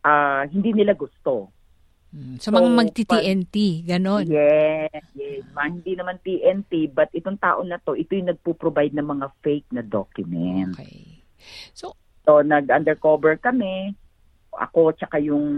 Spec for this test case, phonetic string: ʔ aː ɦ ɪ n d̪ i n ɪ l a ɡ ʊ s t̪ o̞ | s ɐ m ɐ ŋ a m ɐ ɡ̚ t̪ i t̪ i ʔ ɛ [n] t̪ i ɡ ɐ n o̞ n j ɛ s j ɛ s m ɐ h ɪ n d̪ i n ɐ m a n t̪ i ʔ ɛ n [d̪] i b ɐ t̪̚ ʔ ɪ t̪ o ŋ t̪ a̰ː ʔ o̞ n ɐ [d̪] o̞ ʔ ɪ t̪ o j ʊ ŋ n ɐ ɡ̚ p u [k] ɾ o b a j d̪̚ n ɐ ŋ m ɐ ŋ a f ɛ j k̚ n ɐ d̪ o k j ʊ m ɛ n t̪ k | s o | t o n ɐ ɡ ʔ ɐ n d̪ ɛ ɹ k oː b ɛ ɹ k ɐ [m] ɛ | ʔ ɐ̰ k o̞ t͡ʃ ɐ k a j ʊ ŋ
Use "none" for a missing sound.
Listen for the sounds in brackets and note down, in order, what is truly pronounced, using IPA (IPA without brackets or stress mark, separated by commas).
n, t̪, t̪, p, m